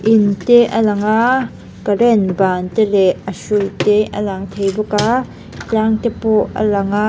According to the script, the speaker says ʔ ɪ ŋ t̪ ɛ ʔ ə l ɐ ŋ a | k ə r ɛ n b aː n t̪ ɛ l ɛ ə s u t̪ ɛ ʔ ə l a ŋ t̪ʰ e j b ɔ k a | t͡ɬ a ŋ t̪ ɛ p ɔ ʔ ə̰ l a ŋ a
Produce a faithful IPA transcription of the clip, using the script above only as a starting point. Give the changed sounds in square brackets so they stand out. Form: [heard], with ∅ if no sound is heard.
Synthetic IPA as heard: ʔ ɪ [n] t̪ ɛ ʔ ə l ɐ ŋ a | k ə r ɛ n b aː n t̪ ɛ l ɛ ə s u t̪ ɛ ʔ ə l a ŋ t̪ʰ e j b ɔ k a | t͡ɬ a ŋ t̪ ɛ p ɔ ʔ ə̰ l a ŋ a